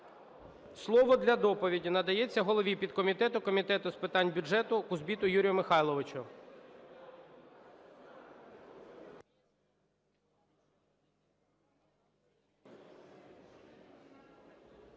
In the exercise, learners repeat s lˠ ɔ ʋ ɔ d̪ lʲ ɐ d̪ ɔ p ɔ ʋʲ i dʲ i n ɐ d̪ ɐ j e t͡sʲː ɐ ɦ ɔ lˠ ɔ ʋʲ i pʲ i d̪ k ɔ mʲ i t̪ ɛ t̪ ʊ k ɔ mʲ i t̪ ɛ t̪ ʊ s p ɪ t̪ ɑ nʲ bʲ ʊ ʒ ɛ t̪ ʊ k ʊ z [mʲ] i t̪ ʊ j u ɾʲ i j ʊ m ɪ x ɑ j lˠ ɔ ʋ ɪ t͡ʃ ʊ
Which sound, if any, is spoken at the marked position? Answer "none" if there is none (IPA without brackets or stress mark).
bʲ